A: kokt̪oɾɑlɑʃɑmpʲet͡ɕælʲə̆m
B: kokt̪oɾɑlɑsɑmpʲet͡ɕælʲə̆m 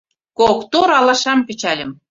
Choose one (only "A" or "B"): A